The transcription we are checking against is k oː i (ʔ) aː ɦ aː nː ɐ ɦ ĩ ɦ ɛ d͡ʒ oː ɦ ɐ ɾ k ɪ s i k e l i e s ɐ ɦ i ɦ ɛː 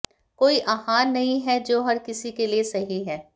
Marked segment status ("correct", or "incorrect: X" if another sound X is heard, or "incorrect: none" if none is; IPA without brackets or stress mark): correct